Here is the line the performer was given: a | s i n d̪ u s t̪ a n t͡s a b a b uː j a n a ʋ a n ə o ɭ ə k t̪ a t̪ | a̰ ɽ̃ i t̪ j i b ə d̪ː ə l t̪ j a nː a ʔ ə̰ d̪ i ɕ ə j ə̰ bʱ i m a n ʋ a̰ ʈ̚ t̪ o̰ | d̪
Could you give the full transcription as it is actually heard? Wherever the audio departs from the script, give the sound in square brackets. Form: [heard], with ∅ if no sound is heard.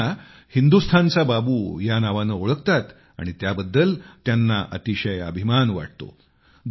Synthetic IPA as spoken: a | [h] i n d̪ u s [t̪ʰ] a n t͡s a b a b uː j a n a ʋ a n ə o ɭ ə k t̪ a t̪ | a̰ ɽ̃ i t̪ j [a] b ə d̪ː ə l t̪ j a nː a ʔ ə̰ [t̪] i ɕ ə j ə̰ bʱ i m a n ʋ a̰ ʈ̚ t̪ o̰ | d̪